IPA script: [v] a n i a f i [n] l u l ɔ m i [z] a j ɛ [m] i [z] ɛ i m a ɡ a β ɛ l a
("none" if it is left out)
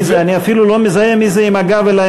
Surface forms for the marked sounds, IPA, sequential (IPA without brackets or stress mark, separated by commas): z, none, z, m, z